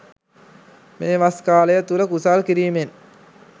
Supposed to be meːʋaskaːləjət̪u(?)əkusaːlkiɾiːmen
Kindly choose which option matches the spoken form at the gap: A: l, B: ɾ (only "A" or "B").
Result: A